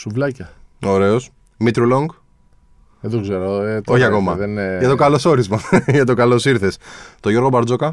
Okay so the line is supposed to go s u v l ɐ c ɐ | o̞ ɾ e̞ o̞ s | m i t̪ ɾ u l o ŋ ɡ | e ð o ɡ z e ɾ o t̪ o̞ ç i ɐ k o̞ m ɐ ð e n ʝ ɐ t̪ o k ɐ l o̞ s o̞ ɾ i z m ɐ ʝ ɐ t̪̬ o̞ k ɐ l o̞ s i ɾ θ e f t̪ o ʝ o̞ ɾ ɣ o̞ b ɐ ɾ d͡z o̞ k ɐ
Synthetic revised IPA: s u v l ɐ c ɐ | o̞ ɾ e̞ o̞ s | m i t̪ ɾ u l o ŋ ɡ | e ð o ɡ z e ɾ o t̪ o̞ ç i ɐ k o̞ m ɐ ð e n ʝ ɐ t̪ o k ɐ l o̞ s o̞ ɾ i z m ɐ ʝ ɐ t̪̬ o̞ k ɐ l o̞ s i ɾ θ e s t̪ o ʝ o̞ ɾ ɣ o̞ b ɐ ɾ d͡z o̞ k ɐ